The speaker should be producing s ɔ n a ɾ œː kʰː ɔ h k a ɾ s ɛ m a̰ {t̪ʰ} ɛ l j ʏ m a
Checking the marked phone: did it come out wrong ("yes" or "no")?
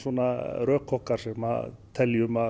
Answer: no